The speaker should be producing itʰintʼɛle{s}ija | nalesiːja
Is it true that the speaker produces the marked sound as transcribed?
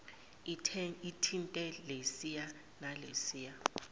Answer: yes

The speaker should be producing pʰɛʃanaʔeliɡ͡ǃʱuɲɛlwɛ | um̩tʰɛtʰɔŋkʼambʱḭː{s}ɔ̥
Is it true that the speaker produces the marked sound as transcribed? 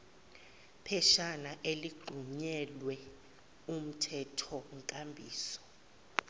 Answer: yes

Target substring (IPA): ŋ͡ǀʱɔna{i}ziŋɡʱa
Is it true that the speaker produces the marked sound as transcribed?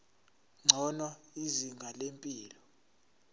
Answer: yes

